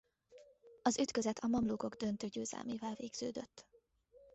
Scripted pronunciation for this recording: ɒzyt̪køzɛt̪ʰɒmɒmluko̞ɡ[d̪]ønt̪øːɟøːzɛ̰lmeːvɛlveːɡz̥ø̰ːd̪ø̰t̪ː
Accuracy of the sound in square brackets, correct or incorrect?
correct